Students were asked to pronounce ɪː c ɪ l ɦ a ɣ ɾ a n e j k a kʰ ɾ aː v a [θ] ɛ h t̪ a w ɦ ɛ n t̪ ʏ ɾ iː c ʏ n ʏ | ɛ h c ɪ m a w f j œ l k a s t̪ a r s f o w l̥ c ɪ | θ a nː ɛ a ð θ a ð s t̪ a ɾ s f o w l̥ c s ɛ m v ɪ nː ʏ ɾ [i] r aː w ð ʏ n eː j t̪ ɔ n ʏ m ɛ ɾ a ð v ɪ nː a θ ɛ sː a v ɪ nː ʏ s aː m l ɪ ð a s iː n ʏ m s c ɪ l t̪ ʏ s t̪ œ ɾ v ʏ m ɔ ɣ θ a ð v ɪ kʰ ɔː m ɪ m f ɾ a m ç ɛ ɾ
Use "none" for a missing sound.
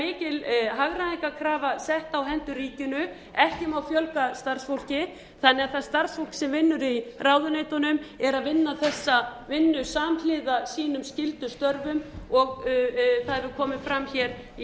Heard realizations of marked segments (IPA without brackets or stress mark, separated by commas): s, i